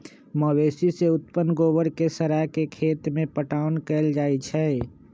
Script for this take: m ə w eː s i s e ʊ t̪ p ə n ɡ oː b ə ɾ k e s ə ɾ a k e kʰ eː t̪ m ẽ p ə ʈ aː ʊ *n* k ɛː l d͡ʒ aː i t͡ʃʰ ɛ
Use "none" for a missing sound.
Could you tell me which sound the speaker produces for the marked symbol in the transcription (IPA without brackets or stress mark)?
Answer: n